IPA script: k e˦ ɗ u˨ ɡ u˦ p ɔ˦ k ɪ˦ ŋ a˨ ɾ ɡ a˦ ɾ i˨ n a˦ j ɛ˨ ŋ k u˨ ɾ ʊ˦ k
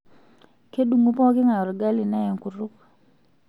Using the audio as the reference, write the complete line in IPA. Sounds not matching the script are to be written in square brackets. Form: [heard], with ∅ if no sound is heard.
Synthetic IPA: k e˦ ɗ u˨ [ŋ] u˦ p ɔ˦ k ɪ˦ ŋ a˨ ɾ ɡ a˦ [l] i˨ n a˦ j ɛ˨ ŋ k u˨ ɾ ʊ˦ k